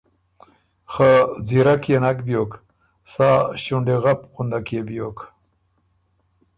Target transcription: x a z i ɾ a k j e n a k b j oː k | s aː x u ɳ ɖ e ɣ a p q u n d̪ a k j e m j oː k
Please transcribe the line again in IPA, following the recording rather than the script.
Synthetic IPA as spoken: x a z i ɾ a k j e n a k b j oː k | s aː ɕ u ɳ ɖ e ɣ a p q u n d̪ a k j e b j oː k